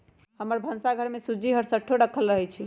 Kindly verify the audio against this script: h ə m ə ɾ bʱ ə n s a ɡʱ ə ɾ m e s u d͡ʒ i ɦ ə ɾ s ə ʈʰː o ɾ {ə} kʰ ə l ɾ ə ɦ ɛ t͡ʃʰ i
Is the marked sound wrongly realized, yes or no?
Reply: no